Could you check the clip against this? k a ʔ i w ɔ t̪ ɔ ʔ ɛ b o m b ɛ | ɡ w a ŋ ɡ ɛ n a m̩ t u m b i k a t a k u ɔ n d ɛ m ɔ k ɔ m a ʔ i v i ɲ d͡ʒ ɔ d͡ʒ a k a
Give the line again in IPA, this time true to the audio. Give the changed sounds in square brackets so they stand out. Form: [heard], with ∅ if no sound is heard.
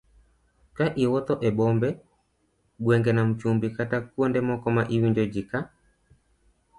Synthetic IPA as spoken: k a ʔ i w ɔ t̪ ɔ ʔ ɛ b [ɔ] m b ɛ | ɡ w [ɛ] ŋ ɡ ɛ n a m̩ [t͡ʃ] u m b i k a t a k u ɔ n d ɛ m ɔ k ɔ m a ʔ i [w] i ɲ d͡ʒ ɔ d͡ʒ [i] k a